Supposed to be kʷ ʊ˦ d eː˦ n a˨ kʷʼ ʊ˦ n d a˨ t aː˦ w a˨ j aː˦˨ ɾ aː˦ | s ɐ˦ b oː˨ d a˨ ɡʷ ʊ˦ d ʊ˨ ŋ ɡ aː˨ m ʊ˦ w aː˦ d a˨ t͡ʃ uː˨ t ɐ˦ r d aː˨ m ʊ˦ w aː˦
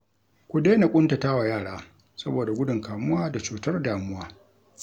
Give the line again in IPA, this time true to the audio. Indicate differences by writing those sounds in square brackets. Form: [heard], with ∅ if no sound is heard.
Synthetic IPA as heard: kʷ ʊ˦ d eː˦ n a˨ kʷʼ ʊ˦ n [t] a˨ t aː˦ w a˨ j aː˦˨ [ɽ] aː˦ | s ɐ˦ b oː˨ d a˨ ɡʷ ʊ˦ d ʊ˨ ŋ [k] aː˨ m ʊ˦ w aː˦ d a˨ t͡ʃ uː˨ t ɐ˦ r d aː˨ m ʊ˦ w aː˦

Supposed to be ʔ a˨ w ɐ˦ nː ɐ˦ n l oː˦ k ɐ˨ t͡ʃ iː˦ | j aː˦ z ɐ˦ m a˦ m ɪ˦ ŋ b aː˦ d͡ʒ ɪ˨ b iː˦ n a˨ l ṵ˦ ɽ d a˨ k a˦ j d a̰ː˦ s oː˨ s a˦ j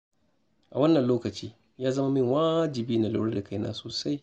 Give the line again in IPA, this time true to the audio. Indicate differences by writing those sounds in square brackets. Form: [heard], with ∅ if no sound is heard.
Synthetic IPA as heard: ʔ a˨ w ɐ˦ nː [ɐ˨] n l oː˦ k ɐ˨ t͡ʃ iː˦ | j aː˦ z ɐ˦ m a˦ m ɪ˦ ŋ [w] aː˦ d͡ʒ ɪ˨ b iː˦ n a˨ l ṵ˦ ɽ d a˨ k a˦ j [n] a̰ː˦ s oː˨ s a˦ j

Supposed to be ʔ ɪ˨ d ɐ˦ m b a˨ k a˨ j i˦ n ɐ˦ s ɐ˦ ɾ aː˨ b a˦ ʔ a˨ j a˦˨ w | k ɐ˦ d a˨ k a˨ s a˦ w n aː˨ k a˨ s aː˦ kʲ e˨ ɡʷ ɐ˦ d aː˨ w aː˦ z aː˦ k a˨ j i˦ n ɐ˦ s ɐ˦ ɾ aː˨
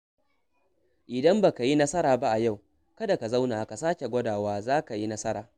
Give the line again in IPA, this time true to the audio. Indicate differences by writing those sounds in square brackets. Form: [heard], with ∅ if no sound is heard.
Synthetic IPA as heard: ʔ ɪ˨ d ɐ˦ m b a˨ k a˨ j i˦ n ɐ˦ s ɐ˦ ɾ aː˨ b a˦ ʔ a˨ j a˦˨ w | k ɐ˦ d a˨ k a˨ [z] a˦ w n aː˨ k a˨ s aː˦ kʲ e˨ ɡʷ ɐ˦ d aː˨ w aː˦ z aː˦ k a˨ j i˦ n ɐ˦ s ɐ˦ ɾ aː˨

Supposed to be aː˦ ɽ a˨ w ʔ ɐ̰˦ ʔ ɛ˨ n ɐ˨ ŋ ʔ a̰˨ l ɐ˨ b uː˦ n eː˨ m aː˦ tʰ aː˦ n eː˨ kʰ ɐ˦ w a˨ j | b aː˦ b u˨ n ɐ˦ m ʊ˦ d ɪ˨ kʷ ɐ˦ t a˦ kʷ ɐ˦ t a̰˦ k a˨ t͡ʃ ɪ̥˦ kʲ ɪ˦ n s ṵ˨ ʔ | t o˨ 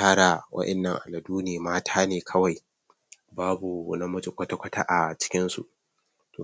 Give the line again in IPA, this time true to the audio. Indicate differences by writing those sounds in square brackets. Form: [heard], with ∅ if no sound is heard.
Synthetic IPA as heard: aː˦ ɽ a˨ w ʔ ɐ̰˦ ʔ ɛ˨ [nː] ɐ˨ ŋ ʔ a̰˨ l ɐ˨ [d] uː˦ n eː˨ m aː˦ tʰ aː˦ n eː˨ kʰ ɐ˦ w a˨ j | b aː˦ b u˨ n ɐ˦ m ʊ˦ [d͡ʒ] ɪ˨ kʷ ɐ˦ t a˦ kʷ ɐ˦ t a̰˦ [ʔ] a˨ t͡ʃ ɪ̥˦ kʲ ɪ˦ n s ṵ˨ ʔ | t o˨

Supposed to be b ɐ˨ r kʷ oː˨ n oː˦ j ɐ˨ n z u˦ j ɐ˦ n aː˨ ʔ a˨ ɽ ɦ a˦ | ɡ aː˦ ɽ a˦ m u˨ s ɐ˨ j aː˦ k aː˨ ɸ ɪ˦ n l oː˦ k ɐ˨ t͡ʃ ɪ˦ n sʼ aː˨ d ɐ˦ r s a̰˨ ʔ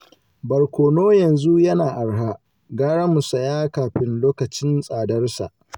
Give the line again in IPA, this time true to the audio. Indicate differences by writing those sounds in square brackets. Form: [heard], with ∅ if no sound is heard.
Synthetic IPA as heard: b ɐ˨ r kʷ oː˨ n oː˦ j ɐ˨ n z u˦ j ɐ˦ n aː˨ ʔ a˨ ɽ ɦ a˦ | ɡ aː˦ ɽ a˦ m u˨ s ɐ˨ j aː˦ k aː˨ ɸ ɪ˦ n l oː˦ k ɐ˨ t͡ʃ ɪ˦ n sʼ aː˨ d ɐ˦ r s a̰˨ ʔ

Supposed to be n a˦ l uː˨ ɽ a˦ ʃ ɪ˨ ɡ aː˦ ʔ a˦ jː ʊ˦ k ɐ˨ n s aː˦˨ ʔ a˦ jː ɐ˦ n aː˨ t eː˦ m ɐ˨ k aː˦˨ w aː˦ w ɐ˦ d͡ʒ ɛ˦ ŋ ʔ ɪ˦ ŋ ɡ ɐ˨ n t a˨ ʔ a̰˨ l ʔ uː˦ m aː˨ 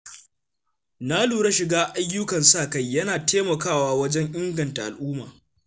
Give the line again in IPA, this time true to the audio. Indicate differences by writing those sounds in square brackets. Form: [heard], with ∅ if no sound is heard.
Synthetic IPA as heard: n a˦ l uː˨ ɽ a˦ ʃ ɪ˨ ɡ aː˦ ʔ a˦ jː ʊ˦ k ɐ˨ n s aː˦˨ [k] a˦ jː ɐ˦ n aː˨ t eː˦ m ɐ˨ k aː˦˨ w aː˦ w ɐ˦ d͡ʒ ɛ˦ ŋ ʔ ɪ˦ ŋ ɡ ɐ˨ n t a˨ ʔ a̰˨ l ʔ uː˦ m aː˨

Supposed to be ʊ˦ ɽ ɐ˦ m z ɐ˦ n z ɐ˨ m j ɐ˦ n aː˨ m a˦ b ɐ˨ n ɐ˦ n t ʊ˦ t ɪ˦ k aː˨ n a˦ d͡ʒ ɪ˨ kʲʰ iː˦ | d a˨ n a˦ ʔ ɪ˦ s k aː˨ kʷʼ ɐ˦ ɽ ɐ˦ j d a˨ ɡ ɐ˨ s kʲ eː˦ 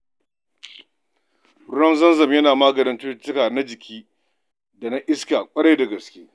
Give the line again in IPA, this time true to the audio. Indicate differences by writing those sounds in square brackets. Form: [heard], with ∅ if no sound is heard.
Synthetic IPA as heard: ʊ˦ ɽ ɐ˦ m z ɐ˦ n z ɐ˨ m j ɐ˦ n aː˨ m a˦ [ɡ] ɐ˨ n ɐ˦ n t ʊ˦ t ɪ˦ k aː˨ n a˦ d͡ʒ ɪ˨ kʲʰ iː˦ | d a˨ n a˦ ʔ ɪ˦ s k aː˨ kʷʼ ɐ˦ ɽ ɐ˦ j d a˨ ɡ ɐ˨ s kʲ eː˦

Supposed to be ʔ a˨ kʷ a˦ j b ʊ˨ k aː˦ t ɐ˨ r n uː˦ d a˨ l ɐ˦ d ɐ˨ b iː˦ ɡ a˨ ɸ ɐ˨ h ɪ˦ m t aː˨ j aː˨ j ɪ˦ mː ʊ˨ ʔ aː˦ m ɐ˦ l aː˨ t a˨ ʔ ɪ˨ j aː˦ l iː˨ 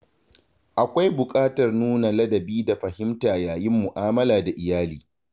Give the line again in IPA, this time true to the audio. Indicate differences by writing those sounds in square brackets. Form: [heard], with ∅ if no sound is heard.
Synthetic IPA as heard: ʔ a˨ kʷ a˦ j b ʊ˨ [kʼ] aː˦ t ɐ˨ r n uː˦ [n] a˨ l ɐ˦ d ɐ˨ b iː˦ [d] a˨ ɸ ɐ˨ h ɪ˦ m t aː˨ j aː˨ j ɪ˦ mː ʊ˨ ʔ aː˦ m ɐ˦ l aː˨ [d] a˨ ʔ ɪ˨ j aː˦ l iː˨

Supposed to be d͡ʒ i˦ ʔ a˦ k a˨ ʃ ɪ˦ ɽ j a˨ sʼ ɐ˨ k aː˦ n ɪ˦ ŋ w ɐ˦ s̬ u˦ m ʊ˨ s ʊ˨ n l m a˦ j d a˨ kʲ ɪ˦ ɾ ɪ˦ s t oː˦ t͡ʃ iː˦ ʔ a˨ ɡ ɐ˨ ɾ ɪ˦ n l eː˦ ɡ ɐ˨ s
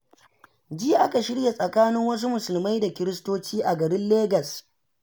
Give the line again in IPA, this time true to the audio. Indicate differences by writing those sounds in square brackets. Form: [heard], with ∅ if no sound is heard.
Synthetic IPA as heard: d͡ʒ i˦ ʔ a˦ k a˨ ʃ ɪ˦ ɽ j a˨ sʼ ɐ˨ k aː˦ n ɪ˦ ŋ w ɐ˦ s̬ u˦ m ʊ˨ s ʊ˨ [∅] l m a˦ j d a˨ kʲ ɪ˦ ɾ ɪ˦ s t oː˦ t͡ʃ iː˦ ʔ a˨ ɡ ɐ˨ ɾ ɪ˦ n l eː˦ ɡ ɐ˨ s

